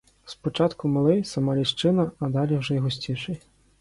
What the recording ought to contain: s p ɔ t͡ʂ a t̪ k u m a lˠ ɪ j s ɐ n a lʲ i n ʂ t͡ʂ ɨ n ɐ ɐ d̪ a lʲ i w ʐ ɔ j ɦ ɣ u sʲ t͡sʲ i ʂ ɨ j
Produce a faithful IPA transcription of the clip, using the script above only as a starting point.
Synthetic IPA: s p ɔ t͡ʂ a t̪ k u m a lˠ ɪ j s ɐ m a lʲ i ʂ t͡ʂ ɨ n ɐ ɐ d̪ a lʲ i w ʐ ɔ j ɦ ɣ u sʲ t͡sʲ i ʂ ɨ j